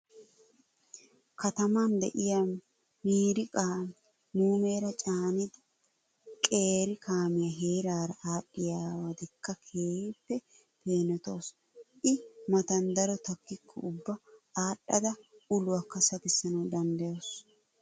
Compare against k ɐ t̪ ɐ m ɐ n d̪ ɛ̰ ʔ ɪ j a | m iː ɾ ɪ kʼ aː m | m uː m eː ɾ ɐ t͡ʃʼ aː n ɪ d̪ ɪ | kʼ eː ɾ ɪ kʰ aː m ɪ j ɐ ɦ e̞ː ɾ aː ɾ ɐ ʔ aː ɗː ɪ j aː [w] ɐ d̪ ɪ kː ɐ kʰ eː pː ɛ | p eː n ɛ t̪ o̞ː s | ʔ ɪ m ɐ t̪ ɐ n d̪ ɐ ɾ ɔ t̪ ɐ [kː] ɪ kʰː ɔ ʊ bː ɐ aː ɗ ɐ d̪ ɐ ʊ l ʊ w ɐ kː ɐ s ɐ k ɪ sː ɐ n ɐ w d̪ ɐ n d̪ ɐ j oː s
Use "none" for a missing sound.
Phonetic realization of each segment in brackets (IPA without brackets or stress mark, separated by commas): w, kː